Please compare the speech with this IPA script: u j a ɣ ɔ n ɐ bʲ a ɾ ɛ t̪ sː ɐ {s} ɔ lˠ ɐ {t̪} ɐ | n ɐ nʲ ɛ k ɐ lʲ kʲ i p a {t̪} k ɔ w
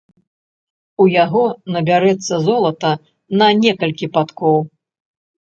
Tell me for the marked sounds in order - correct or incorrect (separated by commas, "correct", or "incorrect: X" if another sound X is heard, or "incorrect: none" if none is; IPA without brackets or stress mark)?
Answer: incorrect: z, correct, correct